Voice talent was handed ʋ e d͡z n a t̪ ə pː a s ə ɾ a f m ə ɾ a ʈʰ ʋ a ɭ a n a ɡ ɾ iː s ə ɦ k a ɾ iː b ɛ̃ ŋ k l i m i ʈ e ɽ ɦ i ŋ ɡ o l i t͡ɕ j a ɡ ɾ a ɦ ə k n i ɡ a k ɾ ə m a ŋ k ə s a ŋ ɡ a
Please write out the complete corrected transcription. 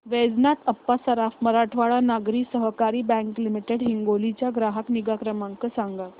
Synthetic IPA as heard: ʋ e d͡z n a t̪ ə pː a s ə ɾ a f m ə ɾ a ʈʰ ʋ a ɭ a n a ɡ ɾ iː s ə ɦ k a ɾ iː b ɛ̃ ŋ k l i m i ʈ e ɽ ɦ i ŋ ɡ o l i t͡ɕ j a ɡ ɾ a ɦ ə k n i ɡ a k ɾ ə m a ŋ k ə s a ŋ ɡ a